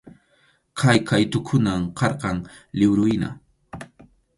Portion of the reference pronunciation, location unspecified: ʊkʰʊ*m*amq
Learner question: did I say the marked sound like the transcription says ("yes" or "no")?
no